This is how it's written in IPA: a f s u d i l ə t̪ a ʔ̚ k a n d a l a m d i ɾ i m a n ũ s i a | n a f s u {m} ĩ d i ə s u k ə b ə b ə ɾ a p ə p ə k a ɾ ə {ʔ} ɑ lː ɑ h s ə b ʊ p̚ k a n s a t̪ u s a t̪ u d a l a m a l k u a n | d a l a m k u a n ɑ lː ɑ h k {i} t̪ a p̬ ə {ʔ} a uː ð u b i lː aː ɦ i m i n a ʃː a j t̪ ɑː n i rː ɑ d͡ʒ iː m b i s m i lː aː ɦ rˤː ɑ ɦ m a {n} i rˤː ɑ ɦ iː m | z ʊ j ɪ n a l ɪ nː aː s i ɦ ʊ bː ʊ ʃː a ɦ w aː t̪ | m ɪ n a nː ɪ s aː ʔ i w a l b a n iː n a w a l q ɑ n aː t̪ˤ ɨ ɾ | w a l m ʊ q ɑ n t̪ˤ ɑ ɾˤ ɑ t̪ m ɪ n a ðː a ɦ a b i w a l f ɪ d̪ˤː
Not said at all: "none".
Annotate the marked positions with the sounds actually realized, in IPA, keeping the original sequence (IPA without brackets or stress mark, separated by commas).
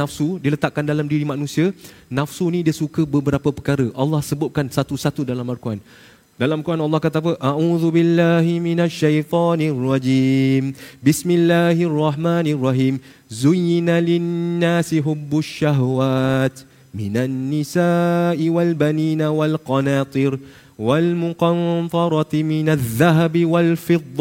n, ʔ, a, ʔ, n